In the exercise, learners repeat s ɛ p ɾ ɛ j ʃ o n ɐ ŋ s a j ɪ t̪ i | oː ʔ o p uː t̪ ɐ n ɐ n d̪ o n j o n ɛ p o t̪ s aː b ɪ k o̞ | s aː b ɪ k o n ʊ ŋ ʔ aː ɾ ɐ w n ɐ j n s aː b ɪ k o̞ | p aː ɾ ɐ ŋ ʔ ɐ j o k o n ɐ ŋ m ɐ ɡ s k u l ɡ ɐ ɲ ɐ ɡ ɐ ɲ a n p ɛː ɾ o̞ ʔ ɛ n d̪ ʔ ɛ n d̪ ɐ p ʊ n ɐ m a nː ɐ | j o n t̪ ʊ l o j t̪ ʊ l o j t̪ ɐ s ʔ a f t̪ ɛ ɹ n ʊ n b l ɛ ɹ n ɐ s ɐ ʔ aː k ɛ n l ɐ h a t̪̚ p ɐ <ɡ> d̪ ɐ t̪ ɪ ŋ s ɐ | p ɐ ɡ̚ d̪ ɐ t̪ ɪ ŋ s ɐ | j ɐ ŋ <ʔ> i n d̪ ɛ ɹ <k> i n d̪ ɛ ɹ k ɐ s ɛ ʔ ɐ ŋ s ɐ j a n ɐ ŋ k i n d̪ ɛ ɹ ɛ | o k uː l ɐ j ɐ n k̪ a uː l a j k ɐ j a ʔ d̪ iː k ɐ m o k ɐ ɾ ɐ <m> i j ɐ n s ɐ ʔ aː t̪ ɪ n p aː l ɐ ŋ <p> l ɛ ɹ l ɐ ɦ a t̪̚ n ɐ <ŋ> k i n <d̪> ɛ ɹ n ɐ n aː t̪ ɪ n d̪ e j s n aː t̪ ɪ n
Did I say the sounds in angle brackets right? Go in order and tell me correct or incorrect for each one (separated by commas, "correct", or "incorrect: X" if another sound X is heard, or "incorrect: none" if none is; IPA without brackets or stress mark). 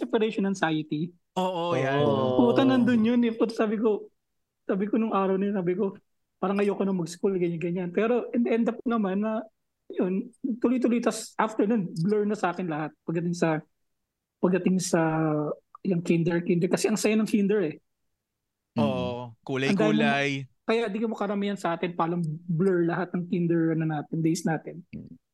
correct, incorrect: k, correct, correct, incorrect: b, correct, correct